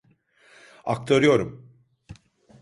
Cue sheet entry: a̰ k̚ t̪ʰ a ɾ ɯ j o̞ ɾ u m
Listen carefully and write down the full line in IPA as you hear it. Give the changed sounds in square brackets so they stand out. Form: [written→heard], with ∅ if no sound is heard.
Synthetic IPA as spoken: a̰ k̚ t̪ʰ a ɾ ɯ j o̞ ɾ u m